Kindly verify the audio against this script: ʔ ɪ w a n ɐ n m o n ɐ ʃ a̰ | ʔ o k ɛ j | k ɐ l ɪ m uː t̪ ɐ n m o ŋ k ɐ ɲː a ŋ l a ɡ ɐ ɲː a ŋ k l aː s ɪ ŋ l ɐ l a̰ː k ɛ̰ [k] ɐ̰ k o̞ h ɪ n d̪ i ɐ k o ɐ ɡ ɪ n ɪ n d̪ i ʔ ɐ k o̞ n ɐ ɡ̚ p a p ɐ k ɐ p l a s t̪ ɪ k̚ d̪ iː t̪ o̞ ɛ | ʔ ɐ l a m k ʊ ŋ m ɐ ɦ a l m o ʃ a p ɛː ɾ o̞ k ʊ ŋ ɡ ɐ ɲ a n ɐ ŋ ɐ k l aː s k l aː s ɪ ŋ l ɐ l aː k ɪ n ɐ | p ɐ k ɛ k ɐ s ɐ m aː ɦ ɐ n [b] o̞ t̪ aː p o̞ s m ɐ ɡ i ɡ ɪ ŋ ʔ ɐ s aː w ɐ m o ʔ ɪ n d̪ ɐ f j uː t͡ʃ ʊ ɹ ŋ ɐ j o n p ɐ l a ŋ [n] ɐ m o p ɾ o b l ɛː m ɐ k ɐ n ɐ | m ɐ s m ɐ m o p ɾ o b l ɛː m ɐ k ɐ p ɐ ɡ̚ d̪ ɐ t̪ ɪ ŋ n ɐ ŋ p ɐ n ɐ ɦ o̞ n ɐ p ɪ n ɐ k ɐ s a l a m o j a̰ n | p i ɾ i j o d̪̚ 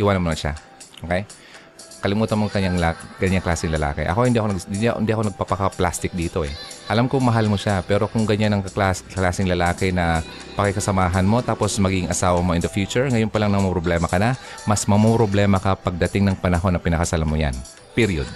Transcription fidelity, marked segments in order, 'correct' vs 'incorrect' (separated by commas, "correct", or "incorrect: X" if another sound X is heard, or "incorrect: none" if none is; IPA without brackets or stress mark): incorrect: ʔ, incorrect: m, correct